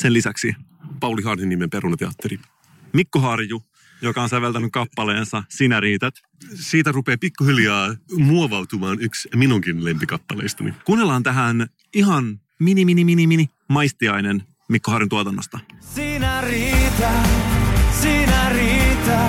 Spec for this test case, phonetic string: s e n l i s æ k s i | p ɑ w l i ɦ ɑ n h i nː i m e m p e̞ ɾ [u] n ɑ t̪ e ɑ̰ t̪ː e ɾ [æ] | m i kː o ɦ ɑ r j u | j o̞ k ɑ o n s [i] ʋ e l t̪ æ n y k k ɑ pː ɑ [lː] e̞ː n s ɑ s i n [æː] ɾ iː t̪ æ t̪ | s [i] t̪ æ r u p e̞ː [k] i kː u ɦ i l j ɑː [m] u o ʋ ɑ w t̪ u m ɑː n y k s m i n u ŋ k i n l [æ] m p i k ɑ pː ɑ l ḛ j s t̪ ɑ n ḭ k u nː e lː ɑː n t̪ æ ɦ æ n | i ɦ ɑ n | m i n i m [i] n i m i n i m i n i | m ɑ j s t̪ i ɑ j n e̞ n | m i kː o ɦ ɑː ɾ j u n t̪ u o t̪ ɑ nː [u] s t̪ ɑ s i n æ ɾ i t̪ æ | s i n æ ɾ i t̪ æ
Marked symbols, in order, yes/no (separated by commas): yes, no, no, no, no, no, no, yes, no, yes, no